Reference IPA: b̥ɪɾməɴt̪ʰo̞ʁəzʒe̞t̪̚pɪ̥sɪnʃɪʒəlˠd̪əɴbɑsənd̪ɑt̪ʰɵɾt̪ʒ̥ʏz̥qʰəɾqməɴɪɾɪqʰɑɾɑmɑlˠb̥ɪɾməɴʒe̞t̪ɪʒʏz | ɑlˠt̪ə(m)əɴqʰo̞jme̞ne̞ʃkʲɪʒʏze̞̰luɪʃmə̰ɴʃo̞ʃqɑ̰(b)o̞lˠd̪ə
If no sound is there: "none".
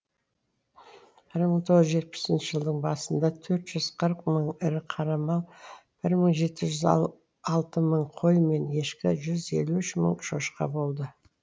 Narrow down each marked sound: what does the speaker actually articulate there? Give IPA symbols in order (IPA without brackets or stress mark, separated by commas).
m, b